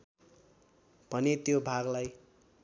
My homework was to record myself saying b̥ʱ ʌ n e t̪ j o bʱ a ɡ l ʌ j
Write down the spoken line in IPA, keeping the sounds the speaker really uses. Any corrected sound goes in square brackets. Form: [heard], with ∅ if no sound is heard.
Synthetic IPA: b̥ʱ ʌ n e t̪ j o bʱ a ɡ l [a] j